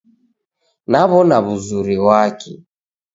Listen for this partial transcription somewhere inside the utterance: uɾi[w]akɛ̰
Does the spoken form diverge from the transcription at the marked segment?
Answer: no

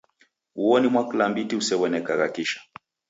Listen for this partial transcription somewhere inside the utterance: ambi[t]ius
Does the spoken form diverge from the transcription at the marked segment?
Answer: no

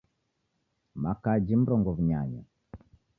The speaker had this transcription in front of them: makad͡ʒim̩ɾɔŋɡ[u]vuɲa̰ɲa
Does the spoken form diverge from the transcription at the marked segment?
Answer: yes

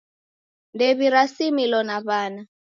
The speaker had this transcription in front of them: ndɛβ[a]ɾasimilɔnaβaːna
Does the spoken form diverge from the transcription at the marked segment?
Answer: yes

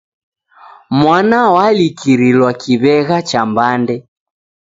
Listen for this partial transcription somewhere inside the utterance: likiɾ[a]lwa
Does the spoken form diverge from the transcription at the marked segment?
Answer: yes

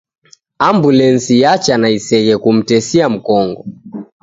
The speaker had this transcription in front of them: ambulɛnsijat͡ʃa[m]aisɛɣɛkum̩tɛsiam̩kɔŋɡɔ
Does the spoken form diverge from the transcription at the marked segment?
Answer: yes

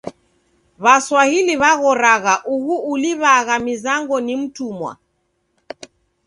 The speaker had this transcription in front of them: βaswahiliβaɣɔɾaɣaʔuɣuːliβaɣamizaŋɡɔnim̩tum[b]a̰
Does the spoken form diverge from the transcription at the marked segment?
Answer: yes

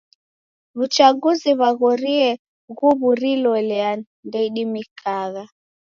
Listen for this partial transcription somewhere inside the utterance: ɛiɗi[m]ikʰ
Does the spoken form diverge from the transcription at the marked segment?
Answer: no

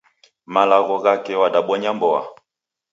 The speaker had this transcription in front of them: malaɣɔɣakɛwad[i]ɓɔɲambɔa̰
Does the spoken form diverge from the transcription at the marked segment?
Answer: yes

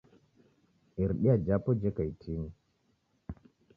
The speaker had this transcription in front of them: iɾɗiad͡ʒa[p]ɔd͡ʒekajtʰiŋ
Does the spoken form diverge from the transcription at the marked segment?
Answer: no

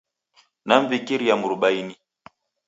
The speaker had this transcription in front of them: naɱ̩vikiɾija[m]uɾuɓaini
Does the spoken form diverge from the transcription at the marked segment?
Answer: no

